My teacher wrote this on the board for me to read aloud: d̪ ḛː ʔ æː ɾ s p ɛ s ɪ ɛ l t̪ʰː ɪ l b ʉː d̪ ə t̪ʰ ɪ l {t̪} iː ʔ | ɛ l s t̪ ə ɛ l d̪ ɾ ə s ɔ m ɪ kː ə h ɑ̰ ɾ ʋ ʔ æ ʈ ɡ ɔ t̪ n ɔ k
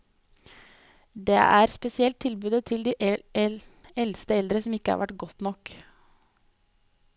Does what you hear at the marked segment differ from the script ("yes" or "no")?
yes